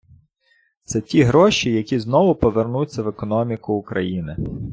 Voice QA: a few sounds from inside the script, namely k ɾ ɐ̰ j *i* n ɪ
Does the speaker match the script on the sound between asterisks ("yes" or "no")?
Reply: yes